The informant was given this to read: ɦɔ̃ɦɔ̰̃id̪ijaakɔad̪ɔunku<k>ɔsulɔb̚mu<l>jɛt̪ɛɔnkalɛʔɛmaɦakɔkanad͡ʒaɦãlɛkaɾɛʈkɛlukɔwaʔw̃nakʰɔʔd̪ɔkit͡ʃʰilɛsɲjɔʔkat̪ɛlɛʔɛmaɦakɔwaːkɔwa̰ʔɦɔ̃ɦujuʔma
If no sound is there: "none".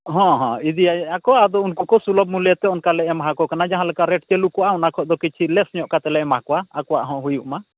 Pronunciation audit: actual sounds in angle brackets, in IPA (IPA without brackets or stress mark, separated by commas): k, l